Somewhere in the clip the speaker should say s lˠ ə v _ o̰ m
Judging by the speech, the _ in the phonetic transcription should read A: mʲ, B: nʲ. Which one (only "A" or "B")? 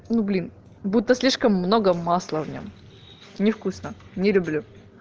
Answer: B